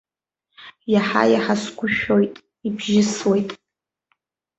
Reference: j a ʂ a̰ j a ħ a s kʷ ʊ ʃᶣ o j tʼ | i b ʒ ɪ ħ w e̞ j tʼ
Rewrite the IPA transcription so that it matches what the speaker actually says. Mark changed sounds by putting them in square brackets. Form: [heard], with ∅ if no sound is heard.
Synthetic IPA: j a [ħ] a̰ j a ħ a s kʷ ʊ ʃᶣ o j tʼ | i b ʒ ɪ [s] w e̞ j tʼ